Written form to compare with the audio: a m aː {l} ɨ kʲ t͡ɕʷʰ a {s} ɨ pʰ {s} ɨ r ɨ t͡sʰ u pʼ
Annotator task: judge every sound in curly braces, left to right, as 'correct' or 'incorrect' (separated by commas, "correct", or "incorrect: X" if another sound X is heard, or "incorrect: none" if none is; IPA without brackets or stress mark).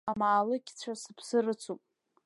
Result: correct, correct, correct